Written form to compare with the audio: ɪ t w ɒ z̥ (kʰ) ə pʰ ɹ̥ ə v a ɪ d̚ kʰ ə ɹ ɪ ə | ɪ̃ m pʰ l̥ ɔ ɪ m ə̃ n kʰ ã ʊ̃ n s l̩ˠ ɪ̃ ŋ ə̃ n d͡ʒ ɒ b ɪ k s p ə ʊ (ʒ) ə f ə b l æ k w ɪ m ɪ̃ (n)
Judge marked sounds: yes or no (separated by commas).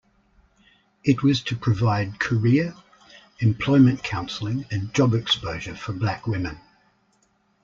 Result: no, yes, yes